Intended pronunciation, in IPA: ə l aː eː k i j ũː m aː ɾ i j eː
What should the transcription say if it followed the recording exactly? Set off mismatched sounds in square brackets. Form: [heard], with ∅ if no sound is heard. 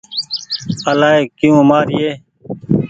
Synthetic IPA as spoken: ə l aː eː k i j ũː m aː ɾ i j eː